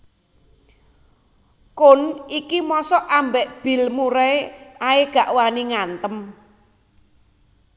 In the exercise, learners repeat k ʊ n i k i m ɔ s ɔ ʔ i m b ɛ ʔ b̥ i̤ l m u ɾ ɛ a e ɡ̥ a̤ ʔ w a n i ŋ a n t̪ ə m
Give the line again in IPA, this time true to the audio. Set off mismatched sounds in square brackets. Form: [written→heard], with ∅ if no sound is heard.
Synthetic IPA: k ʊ n i k i m ɔ s ɔ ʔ [i→a] m b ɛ ʔ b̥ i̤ l m u ɾ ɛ a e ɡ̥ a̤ ʔ w a n i ŋ a n t̪ ə m